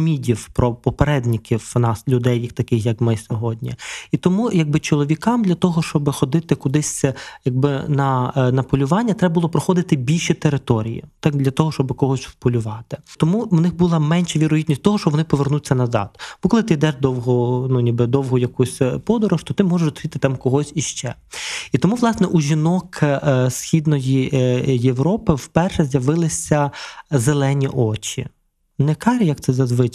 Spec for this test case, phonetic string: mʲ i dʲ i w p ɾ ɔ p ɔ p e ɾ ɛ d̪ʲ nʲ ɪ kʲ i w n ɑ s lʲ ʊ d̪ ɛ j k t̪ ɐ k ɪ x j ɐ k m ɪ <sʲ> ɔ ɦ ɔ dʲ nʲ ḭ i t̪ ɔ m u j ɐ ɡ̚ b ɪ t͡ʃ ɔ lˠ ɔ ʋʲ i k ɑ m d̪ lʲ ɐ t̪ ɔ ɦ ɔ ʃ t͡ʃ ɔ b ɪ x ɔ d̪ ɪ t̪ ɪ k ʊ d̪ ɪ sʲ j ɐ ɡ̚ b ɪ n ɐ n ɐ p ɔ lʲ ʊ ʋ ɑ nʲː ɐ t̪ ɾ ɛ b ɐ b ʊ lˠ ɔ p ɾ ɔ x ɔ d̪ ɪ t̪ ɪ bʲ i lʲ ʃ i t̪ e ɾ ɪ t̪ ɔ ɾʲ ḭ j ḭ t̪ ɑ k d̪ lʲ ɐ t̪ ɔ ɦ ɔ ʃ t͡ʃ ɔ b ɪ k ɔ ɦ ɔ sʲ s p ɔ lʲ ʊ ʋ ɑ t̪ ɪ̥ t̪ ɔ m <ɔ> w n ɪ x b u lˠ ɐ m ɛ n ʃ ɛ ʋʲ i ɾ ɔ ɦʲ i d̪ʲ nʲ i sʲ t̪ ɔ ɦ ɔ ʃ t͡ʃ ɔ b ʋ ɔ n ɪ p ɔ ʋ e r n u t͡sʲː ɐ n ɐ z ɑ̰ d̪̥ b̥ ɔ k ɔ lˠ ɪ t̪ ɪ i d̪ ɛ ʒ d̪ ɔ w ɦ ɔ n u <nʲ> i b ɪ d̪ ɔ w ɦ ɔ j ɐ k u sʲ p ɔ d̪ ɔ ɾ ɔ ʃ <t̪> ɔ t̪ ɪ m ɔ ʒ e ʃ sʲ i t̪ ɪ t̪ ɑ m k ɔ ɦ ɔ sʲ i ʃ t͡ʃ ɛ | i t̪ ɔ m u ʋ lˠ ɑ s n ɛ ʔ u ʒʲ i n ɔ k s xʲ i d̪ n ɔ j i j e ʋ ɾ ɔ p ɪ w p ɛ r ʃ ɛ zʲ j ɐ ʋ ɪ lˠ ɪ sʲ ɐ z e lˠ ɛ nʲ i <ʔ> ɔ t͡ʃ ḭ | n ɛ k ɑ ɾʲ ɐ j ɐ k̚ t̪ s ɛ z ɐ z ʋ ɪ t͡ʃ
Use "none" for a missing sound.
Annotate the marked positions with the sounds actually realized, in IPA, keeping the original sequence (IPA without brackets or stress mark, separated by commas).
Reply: sʲ, u, nʲ, t̪, ʔ